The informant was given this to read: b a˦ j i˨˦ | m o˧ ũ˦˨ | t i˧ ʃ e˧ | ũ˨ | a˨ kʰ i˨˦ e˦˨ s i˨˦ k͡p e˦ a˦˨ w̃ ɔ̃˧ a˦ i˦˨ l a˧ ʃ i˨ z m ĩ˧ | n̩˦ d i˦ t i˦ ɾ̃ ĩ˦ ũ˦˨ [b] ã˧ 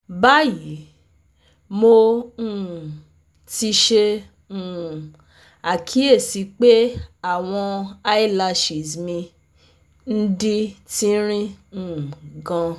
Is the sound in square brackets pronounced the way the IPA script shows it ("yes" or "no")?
no